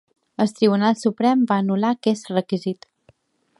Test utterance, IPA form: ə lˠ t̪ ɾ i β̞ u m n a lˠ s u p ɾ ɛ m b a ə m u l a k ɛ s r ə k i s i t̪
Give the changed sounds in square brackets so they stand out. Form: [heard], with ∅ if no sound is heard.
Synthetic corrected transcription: ə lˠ t̪ ɾ i β̞ u [∅] n a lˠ s u p ɾ ɛ m b a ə [n] u l a k ɛ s r ə k i [z] i t̪